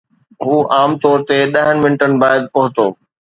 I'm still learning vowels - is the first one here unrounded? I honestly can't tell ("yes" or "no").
no